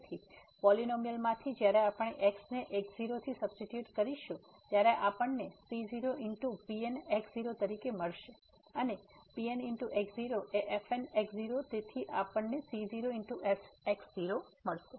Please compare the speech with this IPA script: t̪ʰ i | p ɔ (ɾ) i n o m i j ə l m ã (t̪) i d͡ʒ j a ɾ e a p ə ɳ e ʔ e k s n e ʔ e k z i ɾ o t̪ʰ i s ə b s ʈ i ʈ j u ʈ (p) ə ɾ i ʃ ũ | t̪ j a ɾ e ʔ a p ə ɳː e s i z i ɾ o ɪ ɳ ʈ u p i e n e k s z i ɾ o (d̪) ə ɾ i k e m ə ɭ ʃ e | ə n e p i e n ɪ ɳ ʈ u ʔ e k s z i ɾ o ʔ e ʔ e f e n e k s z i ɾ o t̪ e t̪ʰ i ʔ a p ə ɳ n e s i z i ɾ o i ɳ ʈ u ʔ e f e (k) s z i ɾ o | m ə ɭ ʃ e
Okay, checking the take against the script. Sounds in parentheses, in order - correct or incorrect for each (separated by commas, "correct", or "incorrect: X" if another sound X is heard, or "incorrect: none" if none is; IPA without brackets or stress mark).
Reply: incorrect: l, incorrect: t̪ʰ, incorrect: k, incorrect: t̪, correct